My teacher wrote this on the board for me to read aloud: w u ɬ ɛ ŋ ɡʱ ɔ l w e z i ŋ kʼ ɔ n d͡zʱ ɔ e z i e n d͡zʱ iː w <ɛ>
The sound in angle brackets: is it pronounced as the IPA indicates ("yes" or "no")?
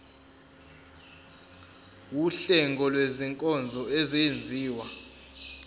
no